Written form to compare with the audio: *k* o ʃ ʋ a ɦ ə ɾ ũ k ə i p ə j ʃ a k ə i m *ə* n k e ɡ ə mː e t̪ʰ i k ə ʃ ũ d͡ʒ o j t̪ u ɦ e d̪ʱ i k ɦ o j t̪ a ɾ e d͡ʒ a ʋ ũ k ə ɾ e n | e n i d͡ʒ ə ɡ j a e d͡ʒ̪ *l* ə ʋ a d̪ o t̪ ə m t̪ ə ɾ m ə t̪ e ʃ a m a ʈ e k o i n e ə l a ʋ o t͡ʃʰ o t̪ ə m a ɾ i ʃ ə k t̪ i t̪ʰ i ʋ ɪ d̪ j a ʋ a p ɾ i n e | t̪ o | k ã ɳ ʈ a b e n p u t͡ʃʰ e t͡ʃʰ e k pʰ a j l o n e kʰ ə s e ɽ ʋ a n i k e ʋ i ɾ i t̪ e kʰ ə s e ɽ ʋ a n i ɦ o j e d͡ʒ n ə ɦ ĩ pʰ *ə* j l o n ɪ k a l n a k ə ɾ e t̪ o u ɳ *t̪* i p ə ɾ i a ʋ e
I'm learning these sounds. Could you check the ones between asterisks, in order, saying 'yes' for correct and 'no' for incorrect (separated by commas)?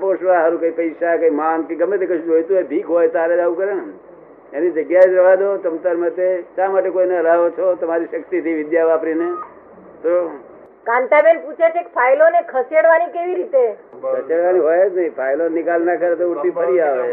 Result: no, no, no, no, yes